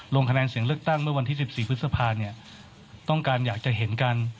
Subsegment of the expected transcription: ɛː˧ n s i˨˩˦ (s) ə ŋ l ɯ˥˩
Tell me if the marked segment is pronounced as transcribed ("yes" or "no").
no